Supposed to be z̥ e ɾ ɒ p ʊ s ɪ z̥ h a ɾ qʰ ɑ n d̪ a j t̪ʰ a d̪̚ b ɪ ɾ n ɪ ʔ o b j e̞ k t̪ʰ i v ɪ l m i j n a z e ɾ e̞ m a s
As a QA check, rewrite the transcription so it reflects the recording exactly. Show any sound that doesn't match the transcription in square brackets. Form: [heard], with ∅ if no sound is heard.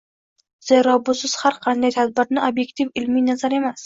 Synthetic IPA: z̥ e ɾ ɒ [b] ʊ s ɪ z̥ h a ɾ qʰ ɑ n d̪ a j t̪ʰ a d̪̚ b ɪ ɾ n ɪ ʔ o b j e̞ k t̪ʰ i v ɪ l m i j n a z [a] ɾ e̞ m a s